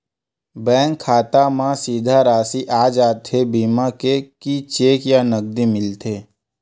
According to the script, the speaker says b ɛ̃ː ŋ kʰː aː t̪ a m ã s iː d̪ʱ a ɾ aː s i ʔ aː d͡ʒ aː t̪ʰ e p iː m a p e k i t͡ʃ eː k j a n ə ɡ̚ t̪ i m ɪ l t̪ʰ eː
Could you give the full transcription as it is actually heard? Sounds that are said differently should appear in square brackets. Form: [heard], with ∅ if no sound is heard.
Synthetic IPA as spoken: b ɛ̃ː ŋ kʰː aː t̪ a m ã s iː d̪ʱ a ɾ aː s i ʔ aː d͡ʒ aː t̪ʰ e [b] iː m a [k] e k i t͡ʃ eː k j a n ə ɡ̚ [d̪] i m ɪ l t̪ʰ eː

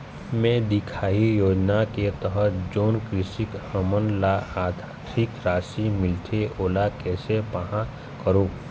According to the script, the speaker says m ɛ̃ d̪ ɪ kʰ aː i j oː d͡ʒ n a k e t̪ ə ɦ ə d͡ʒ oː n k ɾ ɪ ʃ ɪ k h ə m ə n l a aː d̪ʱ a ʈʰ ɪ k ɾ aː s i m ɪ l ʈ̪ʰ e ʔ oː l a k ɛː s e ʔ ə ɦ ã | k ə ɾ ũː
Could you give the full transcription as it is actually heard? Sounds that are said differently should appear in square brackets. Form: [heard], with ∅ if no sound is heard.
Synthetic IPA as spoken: m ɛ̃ d̪ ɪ kʰ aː i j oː d͡ʒ n a k e t̪ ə ɦ ə d͡ʒ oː n k ɾ ɪ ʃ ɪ k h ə m ə n l a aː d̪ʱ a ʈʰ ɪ k ɾ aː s i m ɪ l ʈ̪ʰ e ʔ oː l a k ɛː s e [p] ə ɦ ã | k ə ɾ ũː

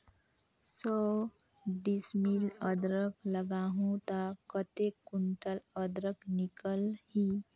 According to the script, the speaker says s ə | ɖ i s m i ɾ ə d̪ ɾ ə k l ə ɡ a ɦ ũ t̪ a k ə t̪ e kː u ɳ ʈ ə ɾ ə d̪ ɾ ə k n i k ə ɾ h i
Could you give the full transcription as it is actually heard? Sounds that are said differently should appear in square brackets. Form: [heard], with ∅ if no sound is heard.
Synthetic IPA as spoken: s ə | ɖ i s m i [l] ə d̪ ɾ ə k l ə ɡ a ɦ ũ t̪ a k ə t̪ e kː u ɳ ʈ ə [l] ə d̪ ɾ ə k n i k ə [l] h i

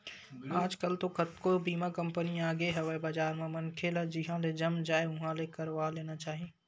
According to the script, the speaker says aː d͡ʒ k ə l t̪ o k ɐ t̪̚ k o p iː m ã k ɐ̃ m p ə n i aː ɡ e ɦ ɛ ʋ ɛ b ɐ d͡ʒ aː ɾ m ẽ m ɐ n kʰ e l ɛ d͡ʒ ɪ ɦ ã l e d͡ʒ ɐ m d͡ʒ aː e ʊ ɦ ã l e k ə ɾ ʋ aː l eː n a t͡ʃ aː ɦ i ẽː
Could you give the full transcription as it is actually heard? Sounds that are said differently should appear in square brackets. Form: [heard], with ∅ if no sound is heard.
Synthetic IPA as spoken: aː d͡ʒ k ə l t̪ o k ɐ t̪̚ k o [b] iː m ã k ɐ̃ m p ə n i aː ɡ e ɦ ɛ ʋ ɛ b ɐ d͡ʒ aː ɾ m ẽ m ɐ n kʰ e l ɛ d͡ʒ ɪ ɦ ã l e d͡ʒ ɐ m d͡ʒ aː e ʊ ɦ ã l e k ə ɾ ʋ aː l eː n a t͡ʃ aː ɦ i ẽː

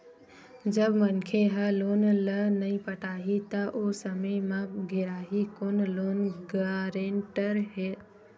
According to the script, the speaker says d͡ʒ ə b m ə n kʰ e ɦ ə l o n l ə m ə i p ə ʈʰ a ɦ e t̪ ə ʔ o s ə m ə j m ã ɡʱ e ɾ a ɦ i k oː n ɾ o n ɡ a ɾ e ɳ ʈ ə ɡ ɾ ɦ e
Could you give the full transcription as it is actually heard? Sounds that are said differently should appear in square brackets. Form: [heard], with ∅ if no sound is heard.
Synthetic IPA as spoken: d͡ʒ ə b m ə n kʰ e ɦ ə l o n l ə [n] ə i p ə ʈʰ a ɦ [i] t̪ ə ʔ o s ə m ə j m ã ɡʱ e ɾ a ɦ i k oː n [l] o n ɡ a ɾ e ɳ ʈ ə [∅] ɾ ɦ e

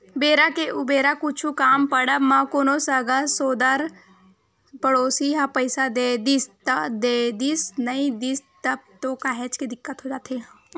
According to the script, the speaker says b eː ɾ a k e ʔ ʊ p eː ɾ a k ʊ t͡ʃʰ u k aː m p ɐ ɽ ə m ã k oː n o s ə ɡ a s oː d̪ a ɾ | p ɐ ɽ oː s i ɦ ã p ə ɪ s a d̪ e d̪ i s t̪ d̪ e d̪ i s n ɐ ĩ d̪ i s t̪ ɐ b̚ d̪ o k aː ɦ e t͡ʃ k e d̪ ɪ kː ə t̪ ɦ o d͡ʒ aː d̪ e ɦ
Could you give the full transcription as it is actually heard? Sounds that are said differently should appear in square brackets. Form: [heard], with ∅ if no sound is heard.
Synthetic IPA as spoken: b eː ɾ a k e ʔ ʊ [b] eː ɾ a k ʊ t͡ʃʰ u k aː m p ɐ ɽ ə m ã k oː n o s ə ɡ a s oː d̪ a ɾ | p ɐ ɽ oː s i ɦ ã p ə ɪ s a d̪ e d̪ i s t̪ d̪ e d̪ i s n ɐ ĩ d̪ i s t̪ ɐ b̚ [t̪] o k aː ɦ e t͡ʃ k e d̪ ɪ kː ə t̪ ɦ o d͡ʒ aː [t̪] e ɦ

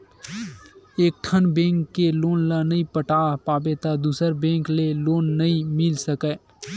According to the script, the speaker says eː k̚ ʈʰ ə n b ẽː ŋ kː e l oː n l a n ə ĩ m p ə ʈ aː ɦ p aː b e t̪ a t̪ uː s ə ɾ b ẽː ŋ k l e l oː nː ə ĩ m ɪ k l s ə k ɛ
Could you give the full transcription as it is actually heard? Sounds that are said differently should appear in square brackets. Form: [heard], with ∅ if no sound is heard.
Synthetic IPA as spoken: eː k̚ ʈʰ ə n b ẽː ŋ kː e l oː n l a n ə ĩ [∅] p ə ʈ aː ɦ p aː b e t̪ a [d̪] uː s ə ɾ b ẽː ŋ k l e l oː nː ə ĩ m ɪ [∅] l s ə k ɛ

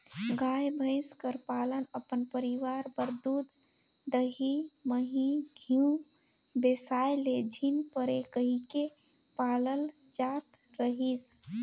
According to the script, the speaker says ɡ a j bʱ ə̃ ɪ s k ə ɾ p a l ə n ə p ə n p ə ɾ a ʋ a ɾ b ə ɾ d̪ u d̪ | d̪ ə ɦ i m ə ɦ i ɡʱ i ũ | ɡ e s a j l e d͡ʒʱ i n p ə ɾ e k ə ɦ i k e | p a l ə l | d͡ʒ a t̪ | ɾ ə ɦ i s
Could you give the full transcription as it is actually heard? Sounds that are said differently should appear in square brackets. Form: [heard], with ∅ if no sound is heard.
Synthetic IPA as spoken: ɡ a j bʱ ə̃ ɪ s k ə ɾ p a l ə n ə p ə n p ə ɾ [i] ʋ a ɾ b ə ɾ d̪ u d̪ | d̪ ə ɦ i m ə ɦ i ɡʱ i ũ | [b] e s a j l e d͡ʒʱ i n p ə ɾ e k ə ɦ i k e | p a l ə l | d͡ʒ a t̪ | ɾ ə ɦ i s

